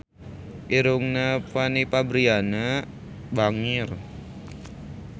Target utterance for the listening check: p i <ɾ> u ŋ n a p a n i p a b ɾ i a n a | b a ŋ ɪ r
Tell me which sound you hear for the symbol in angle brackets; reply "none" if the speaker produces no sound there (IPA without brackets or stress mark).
ɾ